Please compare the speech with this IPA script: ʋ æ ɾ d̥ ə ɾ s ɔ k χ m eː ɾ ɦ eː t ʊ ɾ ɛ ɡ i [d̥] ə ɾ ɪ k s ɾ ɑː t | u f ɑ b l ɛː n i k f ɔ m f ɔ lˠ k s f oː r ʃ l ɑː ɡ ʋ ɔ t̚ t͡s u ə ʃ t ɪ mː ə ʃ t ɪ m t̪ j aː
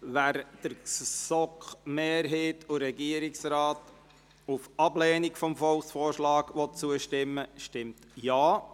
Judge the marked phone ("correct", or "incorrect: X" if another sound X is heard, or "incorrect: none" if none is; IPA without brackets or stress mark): incorrect: none